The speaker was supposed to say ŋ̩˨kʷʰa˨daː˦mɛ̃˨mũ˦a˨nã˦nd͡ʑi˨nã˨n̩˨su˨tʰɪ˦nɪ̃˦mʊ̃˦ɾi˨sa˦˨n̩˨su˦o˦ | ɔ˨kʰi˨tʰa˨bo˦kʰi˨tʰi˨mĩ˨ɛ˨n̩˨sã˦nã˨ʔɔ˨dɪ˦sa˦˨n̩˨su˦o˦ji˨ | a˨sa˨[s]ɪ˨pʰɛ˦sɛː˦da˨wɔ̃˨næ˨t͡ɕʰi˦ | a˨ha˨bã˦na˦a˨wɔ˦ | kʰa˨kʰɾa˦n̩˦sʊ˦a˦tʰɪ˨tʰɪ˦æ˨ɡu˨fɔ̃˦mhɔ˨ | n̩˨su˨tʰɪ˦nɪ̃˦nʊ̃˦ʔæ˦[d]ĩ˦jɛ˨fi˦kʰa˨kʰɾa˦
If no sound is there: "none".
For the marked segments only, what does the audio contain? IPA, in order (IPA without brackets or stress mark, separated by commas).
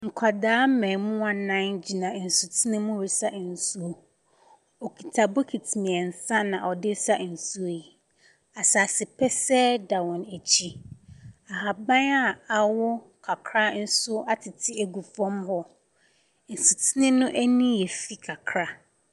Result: s, n